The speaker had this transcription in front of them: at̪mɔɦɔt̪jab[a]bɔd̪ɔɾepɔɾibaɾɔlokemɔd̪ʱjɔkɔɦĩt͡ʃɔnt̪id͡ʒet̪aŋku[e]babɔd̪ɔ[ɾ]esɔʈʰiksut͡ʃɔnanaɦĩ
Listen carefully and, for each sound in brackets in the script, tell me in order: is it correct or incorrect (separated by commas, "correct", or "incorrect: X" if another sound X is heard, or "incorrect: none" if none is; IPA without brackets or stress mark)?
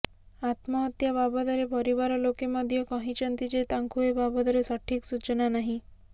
correct, correct, correct